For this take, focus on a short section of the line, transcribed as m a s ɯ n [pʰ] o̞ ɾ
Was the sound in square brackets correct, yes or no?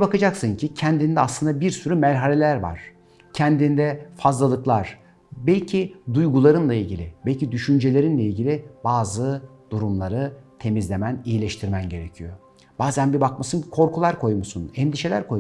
no